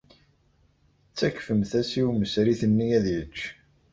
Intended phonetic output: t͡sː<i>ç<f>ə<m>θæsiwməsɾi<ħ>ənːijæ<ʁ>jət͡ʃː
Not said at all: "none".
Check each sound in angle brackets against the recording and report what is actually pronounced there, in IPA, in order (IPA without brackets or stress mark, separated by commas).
æ, f, m, θ, ð